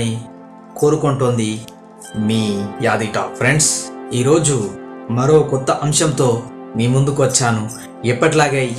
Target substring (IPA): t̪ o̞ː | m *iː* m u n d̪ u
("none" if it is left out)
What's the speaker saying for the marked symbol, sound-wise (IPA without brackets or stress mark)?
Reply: iː